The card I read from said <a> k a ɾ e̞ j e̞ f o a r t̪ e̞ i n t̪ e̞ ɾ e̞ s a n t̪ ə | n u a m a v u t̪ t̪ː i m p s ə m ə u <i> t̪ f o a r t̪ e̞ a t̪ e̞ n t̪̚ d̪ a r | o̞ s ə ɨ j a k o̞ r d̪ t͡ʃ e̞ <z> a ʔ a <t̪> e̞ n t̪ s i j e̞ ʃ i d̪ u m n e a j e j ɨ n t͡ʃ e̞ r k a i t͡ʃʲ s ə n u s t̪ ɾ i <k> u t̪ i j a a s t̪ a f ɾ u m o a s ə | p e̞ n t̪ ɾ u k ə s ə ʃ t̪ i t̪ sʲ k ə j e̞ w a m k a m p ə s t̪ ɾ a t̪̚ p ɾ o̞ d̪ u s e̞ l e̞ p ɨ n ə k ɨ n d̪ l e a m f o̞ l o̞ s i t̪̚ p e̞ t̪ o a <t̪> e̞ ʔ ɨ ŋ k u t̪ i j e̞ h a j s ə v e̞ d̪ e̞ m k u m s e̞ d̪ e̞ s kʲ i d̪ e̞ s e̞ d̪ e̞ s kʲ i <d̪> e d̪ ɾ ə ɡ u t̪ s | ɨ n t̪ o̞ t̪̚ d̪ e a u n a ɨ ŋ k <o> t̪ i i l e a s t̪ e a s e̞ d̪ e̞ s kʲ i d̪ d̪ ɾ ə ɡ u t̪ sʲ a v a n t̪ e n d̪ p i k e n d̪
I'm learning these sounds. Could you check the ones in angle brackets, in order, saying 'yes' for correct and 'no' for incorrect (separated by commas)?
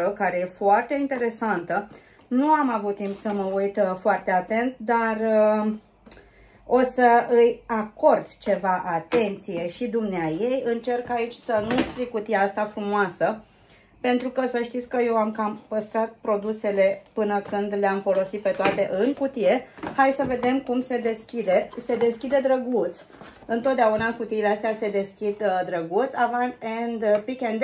no, no, no, yes, yes, yes, yes, no